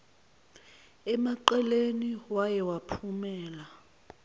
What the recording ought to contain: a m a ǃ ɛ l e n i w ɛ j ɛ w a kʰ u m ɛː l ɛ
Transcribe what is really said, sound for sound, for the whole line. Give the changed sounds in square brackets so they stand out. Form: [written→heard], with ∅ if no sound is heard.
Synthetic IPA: [a→ɛ] m a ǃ ɛ l e n i w [ɛ→a] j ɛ w a [kʰ→pʰ] u m ɛː l [ɛ→a]